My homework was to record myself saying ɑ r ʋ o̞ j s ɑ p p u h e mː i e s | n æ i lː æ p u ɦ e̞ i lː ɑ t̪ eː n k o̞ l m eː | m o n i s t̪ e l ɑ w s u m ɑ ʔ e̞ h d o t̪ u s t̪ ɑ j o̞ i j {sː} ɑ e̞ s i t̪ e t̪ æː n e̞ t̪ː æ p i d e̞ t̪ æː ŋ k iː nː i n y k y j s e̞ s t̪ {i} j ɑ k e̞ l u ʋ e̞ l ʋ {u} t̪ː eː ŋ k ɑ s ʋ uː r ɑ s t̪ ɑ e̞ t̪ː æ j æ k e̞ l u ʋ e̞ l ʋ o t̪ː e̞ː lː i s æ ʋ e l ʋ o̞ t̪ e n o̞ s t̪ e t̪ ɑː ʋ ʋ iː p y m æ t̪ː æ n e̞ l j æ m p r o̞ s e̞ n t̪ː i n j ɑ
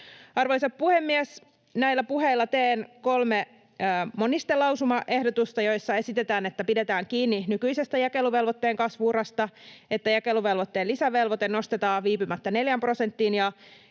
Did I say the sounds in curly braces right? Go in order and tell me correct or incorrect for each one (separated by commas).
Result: correct, incorrect, incorrect